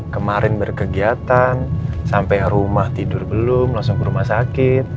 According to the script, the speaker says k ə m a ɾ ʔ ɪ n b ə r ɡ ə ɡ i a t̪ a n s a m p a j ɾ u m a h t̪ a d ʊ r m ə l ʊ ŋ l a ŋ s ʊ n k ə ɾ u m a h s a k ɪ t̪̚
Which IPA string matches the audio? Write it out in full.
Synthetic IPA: k ə m a ɾ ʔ ɪ n b ə r k ə ɡ i a t̪ a n s a m p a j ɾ u m a h t̪ i d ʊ r b ə l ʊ m l a ŋ s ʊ ŋ k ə ɾ u m a h s a k ɪ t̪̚